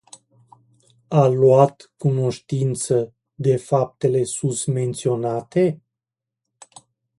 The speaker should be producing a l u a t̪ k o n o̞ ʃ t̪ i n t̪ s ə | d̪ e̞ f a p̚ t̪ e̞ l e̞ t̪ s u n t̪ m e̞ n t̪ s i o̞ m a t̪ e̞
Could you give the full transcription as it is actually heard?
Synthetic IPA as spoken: a l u a t̪ k u n o̞ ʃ t̪ i n t̪ s ə | d̪ e̞ f a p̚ t̪ e̞ l e̞ s u n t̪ m e̞ n t̪ s i o̞ n a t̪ e̞